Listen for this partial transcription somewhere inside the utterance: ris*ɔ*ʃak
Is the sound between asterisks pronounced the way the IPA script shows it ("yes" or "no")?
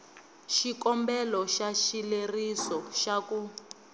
yes